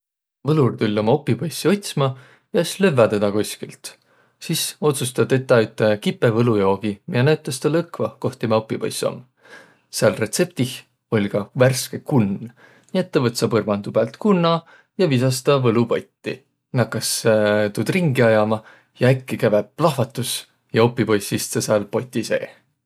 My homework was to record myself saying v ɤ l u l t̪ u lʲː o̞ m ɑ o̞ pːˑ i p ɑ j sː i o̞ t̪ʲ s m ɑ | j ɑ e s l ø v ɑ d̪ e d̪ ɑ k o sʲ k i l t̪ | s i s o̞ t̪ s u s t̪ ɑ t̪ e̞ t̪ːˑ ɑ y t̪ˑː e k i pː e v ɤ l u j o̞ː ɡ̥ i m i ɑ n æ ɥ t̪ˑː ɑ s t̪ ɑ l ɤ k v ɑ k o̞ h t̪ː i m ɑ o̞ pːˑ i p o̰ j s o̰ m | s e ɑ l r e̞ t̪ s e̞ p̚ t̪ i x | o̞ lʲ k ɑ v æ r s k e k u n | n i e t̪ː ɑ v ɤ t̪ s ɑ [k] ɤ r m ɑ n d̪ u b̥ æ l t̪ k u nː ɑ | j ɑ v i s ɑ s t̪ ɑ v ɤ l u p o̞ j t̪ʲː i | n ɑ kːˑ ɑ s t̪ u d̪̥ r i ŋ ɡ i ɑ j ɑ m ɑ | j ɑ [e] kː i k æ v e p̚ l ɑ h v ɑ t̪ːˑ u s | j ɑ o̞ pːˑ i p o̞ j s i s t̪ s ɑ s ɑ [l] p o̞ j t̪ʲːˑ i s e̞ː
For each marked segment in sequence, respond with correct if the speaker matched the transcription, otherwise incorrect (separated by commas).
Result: incorrect, incorrect, correct